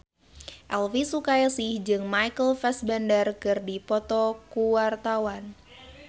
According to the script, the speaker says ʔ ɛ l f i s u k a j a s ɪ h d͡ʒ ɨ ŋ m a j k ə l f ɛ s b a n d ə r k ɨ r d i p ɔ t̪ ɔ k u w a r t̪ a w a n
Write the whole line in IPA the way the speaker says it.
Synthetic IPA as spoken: ʔ ɛ l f i s u k a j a s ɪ h d͡ʒ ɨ ŋ m a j k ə l f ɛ s b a n d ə r k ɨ r d i p ɔ t̪ ɔ k u w a r t̪ a w a n